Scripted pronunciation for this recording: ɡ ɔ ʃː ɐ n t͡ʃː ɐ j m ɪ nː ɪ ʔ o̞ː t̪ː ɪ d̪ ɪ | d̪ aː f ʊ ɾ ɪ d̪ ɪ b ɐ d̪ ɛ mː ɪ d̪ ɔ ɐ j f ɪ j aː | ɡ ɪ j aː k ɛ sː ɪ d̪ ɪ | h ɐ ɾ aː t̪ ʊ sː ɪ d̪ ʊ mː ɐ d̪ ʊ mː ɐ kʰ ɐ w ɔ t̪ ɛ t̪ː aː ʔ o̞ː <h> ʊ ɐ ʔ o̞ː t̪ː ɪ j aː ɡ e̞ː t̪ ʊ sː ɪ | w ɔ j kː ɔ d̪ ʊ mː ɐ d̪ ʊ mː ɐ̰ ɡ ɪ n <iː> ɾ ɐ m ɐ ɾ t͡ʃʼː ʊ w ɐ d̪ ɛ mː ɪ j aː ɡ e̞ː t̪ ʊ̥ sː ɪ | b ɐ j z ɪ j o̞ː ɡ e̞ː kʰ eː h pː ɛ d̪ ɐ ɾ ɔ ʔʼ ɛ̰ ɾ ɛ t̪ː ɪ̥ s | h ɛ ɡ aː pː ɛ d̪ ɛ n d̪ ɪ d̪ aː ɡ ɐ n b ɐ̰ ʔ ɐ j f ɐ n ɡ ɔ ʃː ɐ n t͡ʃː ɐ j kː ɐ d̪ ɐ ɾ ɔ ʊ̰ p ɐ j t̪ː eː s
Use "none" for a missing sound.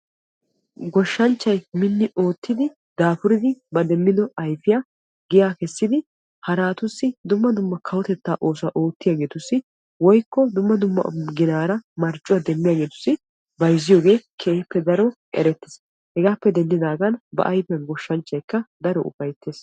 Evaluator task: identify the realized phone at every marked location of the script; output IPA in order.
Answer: s, aː

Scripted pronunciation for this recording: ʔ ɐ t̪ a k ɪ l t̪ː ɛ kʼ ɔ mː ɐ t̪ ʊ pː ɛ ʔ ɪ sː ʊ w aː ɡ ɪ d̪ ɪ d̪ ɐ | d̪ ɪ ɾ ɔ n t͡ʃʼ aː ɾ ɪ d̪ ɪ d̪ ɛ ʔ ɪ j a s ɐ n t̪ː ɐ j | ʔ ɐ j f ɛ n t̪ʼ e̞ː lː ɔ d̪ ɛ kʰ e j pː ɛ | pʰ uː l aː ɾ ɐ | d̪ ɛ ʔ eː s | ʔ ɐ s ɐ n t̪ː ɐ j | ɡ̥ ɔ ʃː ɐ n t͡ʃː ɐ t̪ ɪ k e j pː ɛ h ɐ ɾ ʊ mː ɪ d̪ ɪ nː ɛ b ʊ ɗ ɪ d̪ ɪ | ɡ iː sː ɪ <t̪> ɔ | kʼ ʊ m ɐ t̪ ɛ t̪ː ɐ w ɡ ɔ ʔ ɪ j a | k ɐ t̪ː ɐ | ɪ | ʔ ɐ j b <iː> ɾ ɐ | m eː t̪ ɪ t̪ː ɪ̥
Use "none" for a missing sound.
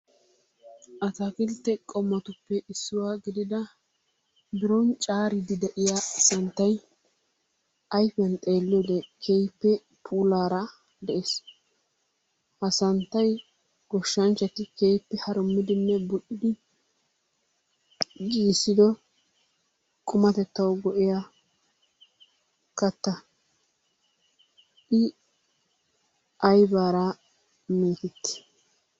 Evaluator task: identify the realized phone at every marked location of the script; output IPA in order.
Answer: d̪, aː

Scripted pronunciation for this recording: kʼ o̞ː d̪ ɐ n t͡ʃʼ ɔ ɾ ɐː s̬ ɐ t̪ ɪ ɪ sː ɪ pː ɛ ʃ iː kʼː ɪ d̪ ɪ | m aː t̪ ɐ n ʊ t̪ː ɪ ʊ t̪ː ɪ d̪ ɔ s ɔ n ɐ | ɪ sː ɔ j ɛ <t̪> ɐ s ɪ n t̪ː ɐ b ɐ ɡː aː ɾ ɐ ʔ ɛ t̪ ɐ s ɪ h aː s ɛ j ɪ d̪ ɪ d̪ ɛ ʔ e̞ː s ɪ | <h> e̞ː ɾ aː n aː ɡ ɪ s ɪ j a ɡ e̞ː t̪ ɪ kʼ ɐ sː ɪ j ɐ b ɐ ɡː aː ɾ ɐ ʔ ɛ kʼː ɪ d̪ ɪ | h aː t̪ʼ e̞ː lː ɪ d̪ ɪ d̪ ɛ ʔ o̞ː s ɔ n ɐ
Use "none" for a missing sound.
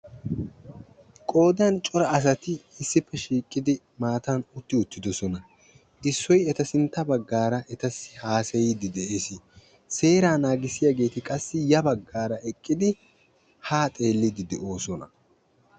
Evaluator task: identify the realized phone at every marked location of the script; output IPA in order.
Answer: t̪, s

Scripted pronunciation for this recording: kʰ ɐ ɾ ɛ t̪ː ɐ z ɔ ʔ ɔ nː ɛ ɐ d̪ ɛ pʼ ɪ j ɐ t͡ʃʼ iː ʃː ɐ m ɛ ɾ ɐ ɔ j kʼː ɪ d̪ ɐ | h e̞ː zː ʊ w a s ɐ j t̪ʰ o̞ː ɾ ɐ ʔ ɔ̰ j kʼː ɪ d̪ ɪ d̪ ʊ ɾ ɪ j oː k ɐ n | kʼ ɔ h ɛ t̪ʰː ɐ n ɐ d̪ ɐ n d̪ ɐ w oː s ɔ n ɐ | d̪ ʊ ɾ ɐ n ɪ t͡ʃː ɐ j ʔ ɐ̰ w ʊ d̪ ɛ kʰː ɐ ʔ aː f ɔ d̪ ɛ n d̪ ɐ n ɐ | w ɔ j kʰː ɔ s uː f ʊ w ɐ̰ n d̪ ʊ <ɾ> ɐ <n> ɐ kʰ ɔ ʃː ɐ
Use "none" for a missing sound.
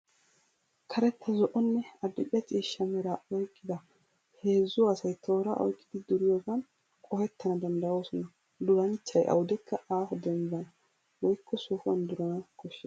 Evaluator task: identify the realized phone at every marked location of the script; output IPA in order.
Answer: ɾ, n

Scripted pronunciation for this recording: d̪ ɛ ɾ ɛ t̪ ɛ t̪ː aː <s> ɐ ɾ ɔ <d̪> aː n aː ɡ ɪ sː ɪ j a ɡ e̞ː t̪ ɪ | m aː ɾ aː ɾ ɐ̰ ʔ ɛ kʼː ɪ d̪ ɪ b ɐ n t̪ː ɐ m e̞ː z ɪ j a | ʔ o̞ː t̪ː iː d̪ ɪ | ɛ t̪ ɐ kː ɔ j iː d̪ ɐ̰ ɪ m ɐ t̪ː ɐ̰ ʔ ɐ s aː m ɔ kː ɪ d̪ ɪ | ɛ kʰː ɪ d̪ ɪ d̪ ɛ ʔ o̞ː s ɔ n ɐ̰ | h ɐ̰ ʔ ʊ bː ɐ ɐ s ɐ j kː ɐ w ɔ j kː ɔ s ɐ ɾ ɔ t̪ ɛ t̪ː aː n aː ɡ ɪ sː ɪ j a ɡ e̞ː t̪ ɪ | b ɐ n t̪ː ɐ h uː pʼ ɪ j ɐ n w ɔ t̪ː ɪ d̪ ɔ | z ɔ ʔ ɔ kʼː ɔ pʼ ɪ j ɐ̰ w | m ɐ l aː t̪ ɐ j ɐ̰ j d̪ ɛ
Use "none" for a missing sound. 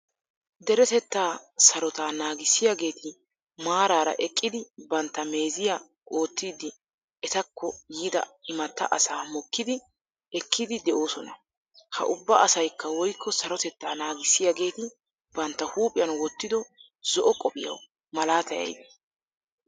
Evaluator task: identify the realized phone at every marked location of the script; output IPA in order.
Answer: s, t̪

